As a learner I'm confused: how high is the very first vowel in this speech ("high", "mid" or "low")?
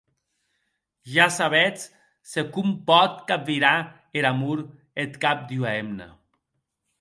low